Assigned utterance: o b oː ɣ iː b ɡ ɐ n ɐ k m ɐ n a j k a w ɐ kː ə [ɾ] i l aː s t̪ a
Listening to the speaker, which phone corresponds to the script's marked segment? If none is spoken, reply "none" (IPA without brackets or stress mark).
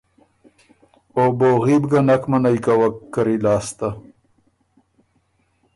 ɾ